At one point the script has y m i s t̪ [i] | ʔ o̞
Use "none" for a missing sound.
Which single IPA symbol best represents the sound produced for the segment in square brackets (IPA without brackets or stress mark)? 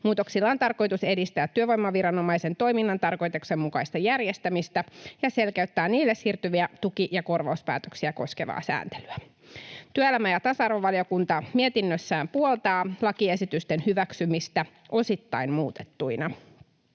æ